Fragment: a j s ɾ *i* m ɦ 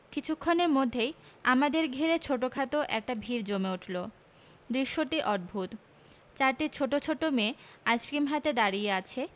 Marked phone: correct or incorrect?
correct